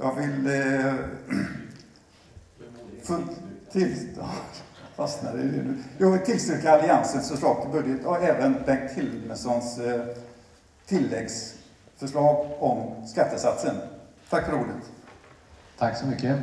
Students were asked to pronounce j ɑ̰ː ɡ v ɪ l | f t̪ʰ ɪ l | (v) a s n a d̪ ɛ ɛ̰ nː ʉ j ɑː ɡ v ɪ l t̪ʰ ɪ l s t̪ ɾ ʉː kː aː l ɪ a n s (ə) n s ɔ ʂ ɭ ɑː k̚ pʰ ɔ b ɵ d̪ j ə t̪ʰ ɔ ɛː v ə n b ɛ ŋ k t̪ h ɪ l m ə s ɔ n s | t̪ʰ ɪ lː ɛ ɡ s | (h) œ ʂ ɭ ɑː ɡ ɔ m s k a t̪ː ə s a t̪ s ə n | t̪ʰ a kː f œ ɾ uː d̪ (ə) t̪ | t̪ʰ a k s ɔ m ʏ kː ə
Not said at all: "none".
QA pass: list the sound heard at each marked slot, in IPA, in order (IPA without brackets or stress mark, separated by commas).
f, ə, f, ə